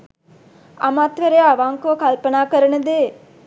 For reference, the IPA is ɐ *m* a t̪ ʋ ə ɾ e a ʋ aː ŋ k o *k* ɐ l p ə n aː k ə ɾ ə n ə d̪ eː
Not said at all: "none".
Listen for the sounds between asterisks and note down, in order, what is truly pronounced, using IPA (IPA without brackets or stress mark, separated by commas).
m, k